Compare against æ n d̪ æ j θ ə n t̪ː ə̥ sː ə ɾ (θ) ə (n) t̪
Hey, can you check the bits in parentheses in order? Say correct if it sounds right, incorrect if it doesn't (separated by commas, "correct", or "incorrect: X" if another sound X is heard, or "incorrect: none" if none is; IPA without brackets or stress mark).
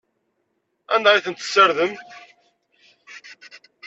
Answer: incorrect: ð, incorrect: m